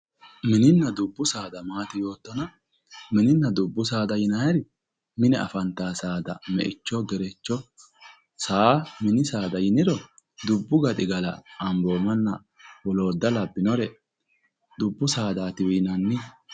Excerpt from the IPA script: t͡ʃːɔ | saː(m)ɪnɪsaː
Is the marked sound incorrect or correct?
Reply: correct